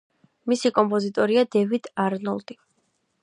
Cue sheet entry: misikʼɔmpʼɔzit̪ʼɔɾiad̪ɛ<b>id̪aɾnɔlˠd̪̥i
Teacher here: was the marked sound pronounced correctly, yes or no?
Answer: no